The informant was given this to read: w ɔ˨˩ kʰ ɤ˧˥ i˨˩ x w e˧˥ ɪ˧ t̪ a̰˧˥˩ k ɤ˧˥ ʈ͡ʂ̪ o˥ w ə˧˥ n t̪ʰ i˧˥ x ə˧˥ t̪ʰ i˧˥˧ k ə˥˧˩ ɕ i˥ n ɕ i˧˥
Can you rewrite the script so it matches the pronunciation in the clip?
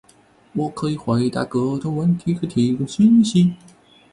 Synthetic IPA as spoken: w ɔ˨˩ kʰ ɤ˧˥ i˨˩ x w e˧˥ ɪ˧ t̪ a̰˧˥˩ k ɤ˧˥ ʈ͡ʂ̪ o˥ w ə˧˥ n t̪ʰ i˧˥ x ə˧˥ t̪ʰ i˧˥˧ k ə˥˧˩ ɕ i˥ n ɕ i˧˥